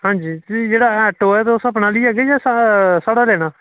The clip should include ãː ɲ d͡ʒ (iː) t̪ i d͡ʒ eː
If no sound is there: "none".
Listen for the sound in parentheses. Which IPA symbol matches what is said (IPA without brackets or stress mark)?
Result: iː